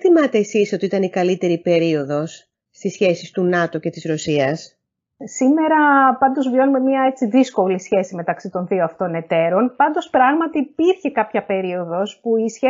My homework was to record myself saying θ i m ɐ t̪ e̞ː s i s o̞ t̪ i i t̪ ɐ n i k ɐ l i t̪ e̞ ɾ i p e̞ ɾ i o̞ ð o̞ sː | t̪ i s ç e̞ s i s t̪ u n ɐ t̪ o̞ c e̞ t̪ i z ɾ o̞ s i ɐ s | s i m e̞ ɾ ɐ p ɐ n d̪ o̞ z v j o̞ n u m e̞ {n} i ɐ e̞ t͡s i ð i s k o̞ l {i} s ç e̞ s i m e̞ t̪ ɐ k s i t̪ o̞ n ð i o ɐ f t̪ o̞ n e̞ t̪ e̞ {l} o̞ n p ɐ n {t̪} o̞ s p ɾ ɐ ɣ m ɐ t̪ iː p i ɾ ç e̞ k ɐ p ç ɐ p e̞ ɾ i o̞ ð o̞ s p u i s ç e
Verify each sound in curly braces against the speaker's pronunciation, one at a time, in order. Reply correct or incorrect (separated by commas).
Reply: incorrect, correct, incorrect, incorrect